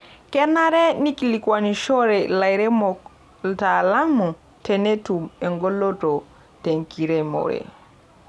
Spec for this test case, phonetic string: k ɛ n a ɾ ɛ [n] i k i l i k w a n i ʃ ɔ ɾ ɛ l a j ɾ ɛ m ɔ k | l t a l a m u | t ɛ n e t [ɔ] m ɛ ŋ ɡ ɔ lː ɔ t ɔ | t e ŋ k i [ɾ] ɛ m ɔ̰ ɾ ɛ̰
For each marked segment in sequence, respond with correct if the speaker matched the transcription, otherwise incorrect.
correct, incorrect, correct

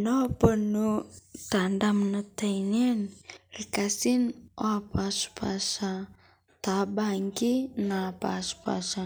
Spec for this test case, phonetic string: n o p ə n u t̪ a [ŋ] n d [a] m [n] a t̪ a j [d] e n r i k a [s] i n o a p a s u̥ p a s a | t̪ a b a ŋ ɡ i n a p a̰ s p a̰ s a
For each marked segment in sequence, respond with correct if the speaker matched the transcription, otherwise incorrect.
incorrect, correct, correct, incorrect, correct

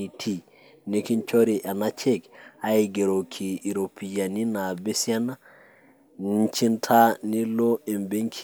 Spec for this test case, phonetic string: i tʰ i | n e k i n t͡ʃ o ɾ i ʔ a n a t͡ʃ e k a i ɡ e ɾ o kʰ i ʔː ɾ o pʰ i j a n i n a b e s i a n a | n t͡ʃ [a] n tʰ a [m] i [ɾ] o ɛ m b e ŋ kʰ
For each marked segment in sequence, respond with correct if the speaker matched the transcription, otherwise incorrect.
incorrect, incorrect, incorrect

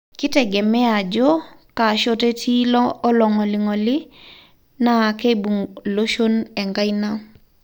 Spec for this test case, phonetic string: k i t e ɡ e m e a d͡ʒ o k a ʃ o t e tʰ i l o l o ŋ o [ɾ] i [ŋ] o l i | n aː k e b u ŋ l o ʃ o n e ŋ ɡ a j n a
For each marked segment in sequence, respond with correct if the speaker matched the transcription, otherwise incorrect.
incorrect, correct

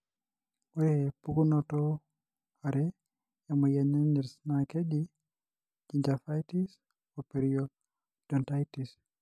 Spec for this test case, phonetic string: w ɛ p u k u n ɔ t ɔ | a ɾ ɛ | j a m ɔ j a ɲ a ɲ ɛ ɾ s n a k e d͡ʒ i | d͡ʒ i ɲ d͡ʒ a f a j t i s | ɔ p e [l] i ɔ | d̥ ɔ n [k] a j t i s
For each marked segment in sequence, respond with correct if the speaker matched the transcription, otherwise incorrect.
incorrect, incorrect

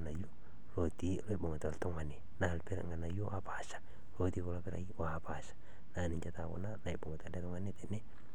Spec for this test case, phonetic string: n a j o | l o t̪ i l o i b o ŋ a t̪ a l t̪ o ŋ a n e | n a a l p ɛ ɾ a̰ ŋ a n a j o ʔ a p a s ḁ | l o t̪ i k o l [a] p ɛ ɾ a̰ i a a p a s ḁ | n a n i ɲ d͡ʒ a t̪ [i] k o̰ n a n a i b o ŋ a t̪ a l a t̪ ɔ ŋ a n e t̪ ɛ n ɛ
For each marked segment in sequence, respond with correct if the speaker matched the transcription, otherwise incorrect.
correct, incorrect

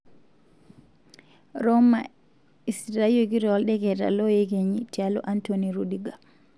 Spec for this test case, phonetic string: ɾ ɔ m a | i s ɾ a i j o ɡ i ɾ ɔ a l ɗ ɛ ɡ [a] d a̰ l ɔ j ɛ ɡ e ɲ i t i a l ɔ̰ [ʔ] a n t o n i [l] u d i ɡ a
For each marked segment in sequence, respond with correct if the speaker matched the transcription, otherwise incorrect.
incorrect, correct, incorrect

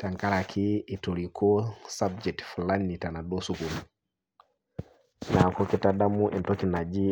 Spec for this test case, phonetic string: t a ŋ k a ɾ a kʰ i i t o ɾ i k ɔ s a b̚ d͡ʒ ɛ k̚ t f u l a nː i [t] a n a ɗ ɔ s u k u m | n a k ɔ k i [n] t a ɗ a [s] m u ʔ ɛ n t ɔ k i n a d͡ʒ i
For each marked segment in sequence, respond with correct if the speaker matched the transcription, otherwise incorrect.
correct, incorrect, incorrect

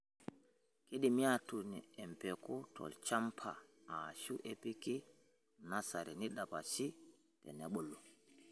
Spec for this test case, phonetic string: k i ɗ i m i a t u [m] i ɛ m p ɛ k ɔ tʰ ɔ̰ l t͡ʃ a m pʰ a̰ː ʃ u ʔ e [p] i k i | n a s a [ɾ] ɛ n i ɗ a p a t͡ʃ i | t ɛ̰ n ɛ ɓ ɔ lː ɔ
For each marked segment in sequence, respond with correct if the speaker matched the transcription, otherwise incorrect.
incorrect, correct, correct

